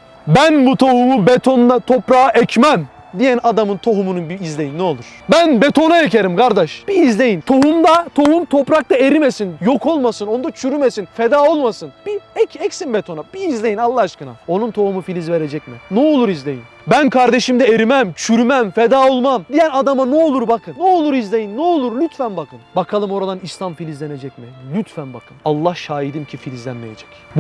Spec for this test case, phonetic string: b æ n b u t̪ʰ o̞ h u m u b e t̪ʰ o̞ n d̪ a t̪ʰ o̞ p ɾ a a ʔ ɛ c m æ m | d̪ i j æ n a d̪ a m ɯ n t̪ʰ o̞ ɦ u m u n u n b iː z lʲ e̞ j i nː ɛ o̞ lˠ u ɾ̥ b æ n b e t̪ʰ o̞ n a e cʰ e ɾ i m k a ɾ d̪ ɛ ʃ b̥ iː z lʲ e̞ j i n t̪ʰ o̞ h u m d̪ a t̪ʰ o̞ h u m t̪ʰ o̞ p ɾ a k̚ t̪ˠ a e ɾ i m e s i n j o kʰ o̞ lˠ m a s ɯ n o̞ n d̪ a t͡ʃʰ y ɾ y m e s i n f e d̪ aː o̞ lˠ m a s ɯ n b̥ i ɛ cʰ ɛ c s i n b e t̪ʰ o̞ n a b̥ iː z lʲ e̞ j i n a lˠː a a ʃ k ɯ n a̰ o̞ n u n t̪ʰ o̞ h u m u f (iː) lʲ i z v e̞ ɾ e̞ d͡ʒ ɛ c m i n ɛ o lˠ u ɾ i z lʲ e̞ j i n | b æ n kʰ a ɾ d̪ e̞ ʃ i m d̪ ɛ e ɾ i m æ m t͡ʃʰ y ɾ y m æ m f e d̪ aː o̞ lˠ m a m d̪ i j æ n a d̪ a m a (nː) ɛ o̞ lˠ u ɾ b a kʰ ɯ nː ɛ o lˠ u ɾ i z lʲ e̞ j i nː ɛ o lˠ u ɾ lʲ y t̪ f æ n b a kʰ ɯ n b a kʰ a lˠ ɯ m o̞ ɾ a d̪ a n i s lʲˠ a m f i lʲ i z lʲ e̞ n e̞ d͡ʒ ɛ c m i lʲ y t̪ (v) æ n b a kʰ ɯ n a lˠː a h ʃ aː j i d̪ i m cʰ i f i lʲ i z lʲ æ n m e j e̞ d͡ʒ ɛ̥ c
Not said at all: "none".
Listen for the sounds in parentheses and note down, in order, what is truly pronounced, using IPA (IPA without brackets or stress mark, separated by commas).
i, n, f